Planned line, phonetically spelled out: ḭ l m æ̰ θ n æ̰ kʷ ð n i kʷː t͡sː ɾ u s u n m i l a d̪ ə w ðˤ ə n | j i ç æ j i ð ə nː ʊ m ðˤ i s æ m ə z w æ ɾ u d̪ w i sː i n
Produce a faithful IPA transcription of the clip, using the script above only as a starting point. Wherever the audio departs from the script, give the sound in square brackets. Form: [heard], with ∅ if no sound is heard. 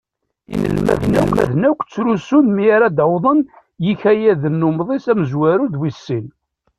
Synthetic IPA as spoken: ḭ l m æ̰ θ n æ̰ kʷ ð n [æ] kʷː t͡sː ɾ u s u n m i [ɾ] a d̪ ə w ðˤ ə n | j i ç æ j [æ] ð ə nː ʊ m ðˤ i s æ m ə z w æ ɾ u d̪ w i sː i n

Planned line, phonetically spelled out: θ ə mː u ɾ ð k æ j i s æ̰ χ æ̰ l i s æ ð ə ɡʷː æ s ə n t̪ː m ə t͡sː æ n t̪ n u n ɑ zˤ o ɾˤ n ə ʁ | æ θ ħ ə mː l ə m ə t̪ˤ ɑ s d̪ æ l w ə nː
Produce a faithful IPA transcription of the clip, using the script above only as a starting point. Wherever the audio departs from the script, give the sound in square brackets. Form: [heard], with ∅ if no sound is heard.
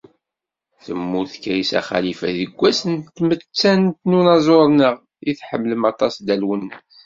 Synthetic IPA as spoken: θ ə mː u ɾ [θ] k æ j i s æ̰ χ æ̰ l i [f] æ ð ə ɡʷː æ s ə n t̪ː m ə t͡sː æ n t̪ n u n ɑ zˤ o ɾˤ n ə ʁ | [i] θ ħ ə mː l ə m [ɑ] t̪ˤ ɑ s d̪ æ l w ə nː

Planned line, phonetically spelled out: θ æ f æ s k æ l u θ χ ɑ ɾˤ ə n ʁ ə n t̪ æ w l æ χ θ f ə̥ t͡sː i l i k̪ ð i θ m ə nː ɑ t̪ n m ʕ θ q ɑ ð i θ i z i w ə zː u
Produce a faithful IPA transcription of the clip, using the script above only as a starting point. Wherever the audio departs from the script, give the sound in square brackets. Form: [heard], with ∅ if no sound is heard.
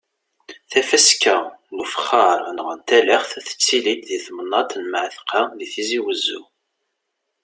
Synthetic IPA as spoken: θ æ f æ s k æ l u [f] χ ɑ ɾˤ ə n ʁ ə n t̪ æ [∅] l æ χ θ [θ] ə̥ t͡sː i l i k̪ ð i θ m ə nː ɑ t̪ n m ʕ θ q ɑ ð i θ i z i w ə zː u

